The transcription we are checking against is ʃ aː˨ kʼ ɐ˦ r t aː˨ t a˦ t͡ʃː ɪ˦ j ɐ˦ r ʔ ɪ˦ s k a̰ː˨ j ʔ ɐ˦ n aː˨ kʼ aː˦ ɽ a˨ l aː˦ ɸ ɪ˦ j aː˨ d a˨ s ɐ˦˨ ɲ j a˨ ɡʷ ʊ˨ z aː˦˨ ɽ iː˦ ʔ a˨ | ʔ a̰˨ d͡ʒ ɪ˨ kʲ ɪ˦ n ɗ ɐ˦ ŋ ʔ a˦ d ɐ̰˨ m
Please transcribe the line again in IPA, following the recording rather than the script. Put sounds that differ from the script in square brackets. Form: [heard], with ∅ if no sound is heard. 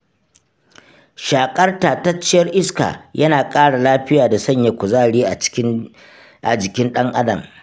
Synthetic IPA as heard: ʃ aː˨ kʼ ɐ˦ r t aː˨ t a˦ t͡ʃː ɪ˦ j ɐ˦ r ʔ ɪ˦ s k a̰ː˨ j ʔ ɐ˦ n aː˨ kʼ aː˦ ɽ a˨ l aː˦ ɸ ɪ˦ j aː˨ d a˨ s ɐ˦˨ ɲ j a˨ [kʷ] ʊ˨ z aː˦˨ ɽ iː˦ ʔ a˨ | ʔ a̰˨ d͡ʒ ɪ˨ kʲ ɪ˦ n ɗ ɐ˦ ŋ ʔ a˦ d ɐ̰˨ m